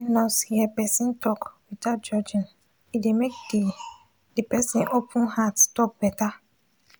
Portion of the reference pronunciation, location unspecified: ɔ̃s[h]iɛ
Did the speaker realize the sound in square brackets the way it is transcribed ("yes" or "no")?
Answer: yes